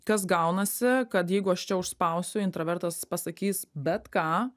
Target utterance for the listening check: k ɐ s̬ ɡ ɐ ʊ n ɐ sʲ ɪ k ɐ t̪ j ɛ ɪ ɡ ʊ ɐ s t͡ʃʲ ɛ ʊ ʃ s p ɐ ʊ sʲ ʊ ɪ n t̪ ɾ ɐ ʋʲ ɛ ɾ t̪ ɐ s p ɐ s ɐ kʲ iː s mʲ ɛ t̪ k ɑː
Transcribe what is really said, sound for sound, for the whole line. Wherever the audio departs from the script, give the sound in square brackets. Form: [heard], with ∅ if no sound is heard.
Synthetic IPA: k ɐ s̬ ɡ ɐ ʊ n ɐ sʲ ɪ k ɐ t̪ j ɛ ɪ ɡ ʊ ɐ [ʃ] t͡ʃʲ ɛ ʊ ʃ s p ɐ ʊ sʲ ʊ ɪ n t̪ ɾ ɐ ʋʲ ɛ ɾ t̪ ɐ s p ɐ s ɐ kʲ iː s [bʲ] ɛ t̪ k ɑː